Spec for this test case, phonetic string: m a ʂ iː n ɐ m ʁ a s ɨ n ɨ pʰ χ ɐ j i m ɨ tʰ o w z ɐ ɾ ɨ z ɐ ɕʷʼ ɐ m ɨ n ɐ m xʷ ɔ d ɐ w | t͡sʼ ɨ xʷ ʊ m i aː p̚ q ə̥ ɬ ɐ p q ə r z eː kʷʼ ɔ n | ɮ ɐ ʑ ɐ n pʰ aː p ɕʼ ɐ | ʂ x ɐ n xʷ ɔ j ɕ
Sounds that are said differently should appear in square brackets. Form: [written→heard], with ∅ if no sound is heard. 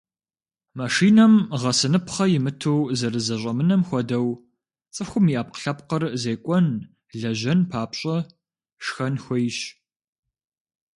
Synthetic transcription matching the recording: m a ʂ iː n ɐ m ʁ [a→ɐ] s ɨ n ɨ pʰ χ ɐ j [i→ɪ] m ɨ tʰ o w z ɐ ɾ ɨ z ɐ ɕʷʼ ɐ m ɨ n ɐ m xʷ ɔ d ɐ w | t͡sʼ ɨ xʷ ʊ m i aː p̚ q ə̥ ɬ ɐ p q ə r z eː kʷʼ ɔ n | ɮ ɐ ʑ ɐ n pʰ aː p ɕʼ ɐ | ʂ x ɐ n xʷ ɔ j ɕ